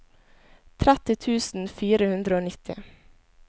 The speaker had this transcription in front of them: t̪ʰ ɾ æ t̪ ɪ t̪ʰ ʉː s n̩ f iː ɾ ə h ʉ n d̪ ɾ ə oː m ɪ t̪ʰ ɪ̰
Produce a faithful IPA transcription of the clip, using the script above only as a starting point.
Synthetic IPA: t̪ʰ ɾ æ t̪ ɪ t̪ʰ ʉː s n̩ f iː ɾ ə h ʉ n d̪ ɾ ə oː n ɪ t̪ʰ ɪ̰